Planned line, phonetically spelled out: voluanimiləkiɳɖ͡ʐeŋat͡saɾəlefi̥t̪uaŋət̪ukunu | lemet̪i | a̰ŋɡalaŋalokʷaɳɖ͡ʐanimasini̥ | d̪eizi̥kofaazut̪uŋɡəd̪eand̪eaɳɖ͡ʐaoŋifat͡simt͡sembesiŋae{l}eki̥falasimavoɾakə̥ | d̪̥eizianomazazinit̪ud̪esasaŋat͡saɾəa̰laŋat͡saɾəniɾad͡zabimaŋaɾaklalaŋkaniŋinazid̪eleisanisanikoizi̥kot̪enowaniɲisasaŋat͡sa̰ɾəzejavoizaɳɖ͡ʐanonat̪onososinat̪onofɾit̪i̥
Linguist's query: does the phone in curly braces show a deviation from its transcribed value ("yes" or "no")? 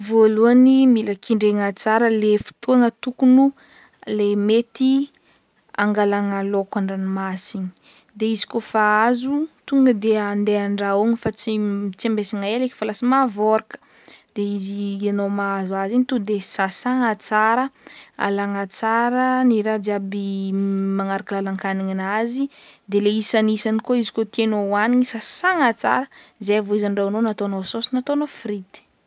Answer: no